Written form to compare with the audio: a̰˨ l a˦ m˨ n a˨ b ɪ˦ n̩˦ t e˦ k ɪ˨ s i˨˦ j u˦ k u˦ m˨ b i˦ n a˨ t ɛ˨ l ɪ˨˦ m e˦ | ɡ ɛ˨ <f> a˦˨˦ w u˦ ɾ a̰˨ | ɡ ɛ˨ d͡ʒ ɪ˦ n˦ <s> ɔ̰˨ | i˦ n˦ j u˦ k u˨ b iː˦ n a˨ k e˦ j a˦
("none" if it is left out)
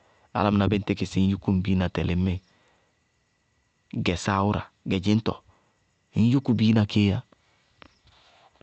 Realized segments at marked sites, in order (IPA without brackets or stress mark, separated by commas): s, t